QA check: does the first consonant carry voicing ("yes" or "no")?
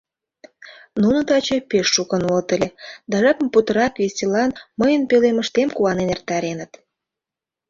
yes